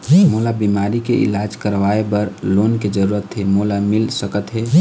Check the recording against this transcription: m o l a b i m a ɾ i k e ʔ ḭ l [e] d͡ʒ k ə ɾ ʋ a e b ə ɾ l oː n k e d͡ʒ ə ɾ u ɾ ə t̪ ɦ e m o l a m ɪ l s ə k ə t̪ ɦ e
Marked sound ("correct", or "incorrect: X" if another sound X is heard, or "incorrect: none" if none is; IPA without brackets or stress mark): incorrect: a